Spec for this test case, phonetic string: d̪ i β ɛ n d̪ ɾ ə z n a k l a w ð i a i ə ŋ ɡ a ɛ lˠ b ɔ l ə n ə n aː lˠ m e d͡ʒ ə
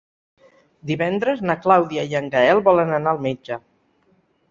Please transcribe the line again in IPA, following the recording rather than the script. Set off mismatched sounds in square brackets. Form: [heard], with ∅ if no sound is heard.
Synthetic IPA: d̪ i β ɛ n d̪ ɾ ə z n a k l a w ð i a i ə ŋ ɡ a ɛ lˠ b ɔ l ə n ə n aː lˠ m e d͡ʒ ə